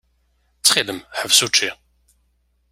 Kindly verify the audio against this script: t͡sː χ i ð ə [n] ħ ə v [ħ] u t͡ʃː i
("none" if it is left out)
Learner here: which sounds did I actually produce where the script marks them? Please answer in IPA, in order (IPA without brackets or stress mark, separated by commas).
m, s